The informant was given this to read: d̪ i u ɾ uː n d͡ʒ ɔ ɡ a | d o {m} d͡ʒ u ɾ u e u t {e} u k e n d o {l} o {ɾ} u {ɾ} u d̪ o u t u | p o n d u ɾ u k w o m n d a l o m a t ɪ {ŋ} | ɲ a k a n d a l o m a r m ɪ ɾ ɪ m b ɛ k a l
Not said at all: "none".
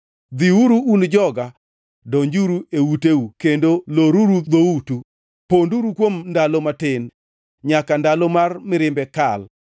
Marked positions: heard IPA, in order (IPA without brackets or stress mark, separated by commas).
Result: ɲ, e, l, ɾ, ɾ, n